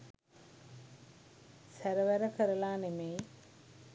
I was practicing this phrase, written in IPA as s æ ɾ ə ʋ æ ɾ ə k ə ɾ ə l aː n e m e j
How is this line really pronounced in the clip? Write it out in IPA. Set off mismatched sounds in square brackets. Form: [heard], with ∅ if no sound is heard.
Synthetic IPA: s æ ɾ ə ʋ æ ɾ ə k ə ɾ ə l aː n e m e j